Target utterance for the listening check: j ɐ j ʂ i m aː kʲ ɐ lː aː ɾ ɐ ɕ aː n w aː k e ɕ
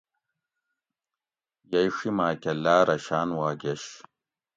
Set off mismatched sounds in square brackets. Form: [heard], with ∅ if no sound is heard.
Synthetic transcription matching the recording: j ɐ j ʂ i m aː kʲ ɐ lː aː ɾ ɐ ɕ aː n w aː [ɡ] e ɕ